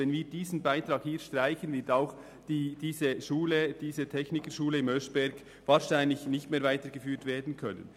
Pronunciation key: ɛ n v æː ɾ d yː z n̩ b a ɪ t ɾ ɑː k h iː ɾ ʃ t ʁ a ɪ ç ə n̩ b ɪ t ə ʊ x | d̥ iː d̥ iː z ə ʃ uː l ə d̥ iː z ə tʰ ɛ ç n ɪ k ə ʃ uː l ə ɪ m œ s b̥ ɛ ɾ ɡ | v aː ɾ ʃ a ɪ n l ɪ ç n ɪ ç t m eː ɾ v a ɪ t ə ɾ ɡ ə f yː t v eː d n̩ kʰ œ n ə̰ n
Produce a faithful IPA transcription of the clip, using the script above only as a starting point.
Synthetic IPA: ɛ n v iː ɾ d iː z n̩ b a ɪ t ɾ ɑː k h iː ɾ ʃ t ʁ a ɪ ç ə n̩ v ɪ t a ʊ x | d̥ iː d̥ iː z ə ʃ uː l ə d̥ iː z ə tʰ ɛ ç n ɪ k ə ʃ uː l ə ɪ m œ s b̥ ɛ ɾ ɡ | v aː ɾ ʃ a ɪ n l ɪ ç n ɪ ç t m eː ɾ v a ɪ t ə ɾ ɡ ə f yː t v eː d n̩ kʰ œ n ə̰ n